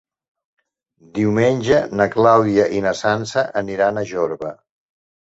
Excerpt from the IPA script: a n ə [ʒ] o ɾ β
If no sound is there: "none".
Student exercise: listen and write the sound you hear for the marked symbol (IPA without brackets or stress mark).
ʒ